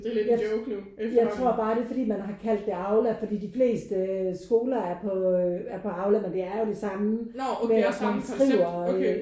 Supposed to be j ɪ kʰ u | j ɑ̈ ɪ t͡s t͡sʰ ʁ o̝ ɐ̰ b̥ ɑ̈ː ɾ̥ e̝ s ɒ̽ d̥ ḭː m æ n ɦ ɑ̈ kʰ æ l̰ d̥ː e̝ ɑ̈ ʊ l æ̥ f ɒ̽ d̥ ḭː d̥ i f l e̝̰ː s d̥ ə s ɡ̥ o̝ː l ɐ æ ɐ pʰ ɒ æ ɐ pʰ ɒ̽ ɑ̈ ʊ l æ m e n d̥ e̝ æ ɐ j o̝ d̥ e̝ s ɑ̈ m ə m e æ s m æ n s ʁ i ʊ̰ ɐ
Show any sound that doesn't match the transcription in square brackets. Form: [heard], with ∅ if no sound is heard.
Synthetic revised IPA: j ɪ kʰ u | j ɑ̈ ɪ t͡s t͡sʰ ʁ o̝ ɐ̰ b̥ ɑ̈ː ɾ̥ e̝ [f] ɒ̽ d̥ ḭː m æ n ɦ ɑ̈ kʰ æ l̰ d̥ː e̝ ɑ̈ ʊ l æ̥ f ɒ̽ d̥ ḭː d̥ i f l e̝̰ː s d̥ ə s ɡ̥ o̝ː l ɐ æ ɐ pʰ ɒ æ ɐ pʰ ɒ̽ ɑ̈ ʊ l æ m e n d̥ e̝ æ ɐ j o̝ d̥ e̝ s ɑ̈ m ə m e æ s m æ n s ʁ i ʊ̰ ɐ